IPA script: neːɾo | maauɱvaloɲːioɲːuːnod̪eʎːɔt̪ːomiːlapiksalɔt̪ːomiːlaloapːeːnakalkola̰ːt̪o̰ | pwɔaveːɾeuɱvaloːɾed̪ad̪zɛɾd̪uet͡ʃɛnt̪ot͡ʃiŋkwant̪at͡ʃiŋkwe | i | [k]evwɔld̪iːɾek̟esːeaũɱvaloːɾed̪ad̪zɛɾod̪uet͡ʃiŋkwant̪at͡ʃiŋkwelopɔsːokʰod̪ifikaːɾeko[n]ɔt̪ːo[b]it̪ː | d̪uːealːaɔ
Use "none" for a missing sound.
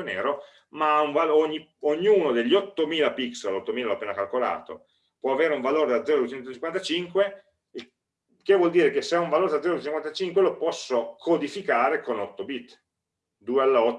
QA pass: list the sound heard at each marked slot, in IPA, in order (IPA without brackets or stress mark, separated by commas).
k, n, b